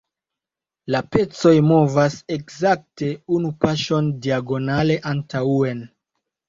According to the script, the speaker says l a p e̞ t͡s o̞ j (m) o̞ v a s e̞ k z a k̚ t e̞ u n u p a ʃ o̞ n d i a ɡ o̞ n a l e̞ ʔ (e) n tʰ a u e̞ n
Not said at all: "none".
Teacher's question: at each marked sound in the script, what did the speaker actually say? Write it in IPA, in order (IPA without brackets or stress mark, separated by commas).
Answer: m, a